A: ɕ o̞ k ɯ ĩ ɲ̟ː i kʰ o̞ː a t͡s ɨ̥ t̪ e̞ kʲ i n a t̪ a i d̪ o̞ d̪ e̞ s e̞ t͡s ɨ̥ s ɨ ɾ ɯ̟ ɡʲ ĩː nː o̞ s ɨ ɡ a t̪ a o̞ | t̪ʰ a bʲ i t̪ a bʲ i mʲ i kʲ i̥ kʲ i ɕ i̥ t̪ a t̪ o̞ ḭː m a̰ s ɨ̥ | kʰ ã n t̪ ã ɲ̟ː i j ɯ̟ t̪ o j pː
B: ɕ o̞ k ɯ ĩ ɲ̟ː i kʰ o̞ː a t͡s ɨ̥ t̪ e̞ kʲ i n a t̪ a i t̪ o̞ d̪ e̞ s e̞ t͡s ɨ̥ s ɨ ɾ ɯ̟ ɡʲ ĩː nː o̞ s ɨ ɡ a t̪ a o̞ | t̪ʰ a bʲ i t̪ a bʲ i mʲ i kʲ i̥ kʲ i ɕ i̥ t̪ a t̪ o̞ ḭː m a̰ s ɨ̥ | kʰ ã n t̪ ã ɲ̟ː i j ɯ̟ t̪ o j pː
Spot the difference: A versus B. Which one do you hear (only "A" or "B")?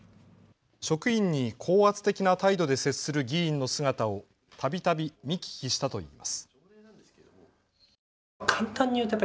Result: A